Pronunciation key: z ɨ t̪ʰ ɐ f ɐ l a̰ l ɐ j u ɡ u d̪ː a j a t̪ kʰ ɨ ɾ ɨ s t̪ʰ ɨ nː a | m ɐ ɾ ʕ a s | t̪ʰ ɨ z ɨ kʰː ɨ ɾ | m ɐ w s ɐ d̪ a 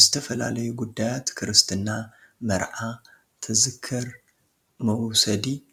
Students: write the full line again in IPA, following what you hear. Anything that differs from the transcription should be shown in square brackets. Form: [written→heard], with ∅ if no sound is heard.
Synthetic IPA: z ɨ t̪ʰ ɐ f ɐ l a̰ l ɐ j u ɡ u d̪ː a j a t̪ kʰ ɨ ɾ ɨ s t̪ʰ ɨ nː a | m ɐ ɾ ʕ a [s→∅] | t̪ʰ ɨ z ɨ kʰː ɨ ɾ | m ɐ w s ɐ d̪ [a→i]